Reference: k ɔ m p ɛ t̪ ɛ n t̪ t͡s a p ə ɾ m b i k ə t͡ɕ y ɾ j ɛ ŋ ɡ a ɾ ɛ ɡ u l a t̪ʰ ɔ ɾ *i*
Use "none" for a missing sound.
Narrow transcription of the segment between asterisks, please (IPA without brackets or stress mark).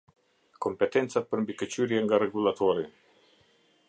i